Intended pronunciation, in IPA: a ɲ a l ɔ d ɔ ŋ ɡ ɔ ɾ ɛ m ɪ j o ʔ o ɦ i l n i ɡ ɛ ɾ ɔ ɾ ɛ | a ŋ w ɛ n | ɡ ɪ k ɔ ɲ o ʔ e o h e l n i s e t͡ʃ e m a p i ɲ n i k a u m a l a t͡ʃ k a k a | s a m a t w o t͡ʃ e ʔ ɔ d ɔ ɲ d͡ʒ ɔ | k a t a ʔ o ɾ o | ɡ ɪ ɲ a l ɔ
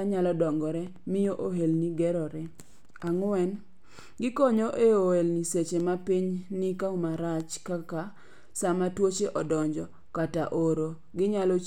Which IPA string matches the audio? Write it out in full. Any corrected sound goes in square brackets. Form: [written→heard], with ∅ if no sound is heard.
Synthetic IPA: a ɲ a l ɔ d ɔ ŋ ɡ ɔ ɾ ɛ m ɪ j o ʔ o ɦ [i→e] l n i ɡ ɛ ɾ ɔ ɾ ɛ | a ŋ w ɛ n | ɡ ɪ k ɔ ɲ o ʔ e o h e l n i s e t͡ʃ e m a p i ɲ n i k a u m a [l→ɾ] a t͡ʃ k a k a | s a m a t w o t͡ʃ e ʔ ɔ d ɔ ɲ d͡ʒ ɔ | k a t a ʔ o ɾ o | ɡ ɪ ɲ a l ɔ